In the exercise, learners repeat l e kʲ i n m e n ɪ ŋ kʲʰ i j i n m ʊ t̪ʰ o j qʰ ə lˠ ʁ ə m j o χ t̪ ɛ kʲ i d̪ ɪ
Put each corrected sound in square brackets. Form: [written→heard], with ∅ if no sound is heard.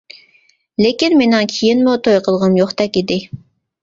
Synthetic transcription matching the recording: l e kʲ i n m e n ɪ ŋ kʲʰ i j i n m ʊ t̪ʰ o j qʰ ə lˠ ʁ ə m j o χ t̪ ɛ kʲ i d̪ ɪ

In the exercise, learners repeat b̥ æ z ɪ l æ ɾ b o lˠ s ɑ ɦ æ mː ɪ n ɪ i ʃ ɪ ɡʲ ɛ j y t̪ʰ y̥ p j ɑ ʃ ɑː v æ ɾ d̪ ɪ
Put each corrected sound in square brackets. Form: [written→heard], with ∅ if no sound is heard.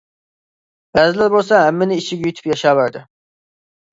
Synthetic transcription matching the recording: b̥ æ z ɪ l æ ɾ b o lˠ s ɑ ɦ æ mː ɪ n ɪ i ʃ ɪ ɡʲ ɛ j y t̪ʰ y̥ p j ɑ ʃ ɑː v æ ɾ d̪ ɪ

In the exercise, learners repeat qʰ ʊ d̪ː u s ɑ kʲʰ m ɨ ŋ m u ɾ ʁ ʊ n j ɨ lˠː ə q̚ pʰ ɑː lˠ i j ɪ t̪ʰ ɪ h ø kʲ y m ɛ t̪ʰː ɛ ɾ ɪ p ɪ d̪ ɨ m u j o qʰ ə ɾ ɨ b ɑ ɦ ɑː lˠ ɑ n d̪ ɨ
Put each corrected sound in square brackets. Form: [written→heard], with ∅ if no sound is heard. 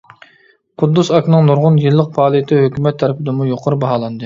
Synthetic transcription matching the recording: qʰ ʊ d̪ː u s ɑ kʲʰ [m→n] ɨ ŋ [m→n] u ɾ ʁ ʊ n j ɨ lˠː ə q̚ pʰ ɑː lˠ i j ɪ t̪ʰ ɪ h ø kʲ y m ɛ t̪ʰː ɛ ɾ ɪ p ɪ d̪ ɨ m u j o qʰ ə ɾ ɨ b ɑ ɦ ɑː lˠ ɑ n d̪ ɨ

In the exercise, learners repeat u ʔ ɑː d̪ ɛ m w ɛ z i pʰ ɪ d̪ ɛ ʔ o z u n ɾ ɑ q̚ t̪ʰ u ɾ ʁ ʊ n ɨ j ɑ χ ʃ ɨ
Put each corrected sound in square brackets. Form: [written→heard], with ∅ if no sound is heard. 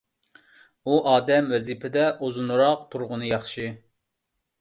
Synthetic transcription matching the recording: u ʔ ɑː d̪ ɛ m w ɛ z i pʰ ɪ d̪ ɛ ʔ o z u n ɾ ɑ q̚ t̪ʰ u ɾ ʁ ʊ n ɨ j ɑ χ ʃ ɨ

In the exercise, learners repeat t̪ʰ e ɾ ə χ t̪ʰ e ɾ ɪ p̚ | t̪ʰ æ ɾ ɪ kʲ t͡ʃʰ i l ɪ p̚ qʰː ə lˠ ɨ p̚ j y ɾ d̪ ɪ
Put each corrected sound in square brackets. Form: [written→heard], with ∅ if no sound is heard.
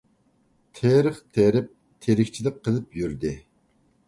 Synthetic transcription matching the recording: t̪ʰ e ɾ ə χ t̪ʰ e ɾ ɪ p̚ | t̪ʰ [æ→e] ɾ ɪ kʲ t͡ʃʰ i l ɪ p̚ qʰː ə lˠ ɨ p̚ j y ɾ d̪ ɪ

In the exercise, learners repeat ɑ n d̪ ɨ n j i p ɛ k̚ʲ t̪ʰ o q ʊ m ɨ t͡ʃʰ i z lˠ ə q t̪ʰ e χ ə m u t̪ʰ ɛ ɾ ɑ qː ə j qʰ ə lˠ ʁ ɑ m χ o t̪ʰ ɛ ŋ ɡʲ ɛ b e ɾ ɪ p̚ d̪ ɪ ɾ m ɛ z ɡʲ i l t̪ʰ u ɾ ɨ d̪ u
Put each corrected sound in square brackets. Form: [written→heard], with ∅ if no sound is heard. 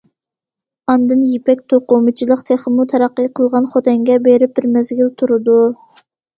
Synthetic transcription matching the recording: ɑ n d̪ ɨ n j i p ɛ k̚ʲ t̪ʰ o q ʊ m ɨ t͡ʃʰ i [z→∅] lˠ ə q t̪ʰ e χ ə m u t̪ʰ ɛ ɾ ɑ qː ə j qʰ ə lˠ ʁ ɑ [m→n] χ o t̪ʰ ɛ ŋ ɡʲ ɛ b e ɾ ɪ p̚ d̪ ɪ ɾ m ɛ z ɡʲ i l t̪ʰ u ɾ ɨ d̪ u

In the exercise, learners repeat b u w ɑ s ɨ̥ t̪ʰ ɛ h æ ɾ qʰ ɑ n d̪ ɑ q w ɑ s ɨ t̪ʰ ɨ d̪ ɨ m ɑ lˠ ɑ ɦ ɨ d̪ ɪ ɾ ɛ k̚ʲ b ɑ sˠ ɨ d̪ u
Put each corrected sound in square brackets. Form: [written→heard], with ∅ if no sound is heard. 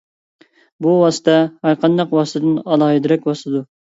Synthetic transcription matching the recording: b u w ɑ s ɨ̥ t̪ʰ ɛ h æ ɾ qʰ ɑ n d̪ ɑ q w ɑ s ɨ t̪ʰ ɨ d̪ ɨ [m→n] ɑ lˠ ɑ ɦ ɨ d̪ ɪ ɾ ɛ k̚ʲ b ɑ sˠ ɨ d̪ u

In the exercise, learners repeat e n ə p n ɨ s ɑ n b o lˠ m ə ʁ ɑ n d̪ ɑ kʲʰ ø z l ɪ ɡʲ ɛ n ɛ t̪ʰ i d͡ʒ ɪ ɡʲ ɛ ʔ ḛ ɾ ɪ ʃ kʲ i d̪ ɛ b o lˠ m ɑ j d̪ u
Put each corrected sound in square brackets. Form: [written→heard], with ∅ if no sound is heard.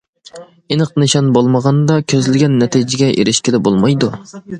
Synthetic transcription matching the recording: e n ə [p→q] n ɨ [s→ʃ] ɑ n b o lˠ m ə ʁ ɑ n d̪ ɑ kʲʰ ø z l ɪ ɡʲ ɛ [n→nː] ɛ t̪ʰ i d͡ʒ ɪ ɡʲ ɛ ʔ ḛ ɾ ɪ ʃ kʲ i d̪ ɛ b o lˠ m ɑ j d̪ u

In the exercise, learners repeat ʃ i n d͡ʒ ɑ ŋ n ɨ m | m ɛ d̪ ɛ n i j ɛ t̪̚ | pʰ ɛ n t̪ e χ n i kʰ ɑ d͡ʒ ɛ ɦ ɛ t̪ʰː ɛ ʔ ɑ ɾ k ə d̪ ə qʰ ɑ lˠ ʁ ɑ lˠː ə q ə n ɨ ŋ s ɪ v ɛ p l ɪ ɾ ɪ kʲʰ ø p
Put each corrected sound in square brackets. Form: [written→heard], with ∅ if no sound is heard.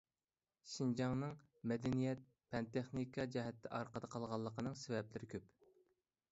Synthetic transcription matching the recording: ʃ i n d͡ʒ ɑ ŋ n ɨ [m→ŋ] | m ɛ d̪ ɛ n i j ɛ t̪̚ | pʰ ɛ n t̪ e χ n i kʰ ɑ d͡ʒ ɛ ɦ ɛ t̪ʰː ɛ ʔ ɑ ɾ [k→q] ə d̪ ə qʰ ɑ lˠ ʁ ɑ lˠː ə q ə n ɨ ŋ s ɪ v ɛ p l ɪ ɾ ɪ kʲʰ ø p

